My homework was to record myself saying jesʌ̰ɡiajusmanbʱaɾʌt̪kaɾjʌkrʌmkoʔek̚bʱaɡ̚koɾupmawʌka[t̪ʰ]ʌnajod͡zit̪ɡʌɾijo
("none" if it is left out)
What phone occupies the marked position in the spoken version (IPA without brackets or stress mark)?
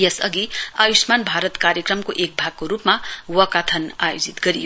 t̪ʰ